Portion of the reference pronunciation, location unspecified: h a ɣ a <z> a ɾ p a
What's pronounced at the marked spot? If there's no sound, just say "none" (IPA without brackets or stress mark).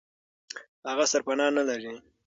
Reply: s